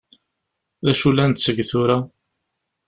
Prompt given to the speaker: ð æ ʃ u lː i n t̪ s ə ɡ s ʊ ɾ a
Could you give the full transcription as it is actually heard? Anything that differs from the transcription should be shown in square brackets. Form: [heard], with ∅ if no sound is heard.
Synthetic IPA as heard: ð æ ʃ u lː [æ] n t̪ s ə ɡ [θ] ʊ ɾ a